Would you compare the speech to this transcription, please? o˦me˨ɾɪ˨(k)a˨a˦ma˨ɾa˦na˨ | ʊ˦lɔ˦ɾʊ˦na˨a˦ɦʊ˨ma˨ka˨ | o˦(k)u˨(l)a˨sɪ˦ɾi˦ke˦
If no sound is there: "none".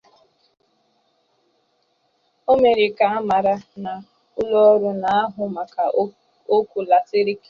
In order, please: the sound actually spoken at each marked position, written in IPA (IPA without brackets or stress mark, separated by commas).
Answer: k, k, l